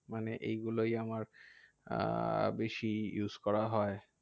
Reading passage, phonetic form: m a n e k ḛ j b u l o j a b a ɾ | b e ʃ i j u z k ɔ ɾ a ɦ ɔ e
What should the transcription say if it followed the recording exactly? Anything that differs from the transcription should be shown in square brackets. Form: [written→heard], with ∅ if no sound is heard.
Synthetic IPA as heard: m a n e [k→ʔ] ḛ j [b→ɡ] u l o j a [b→m] a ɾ | b e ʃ i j u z k ɔ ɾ a ɦ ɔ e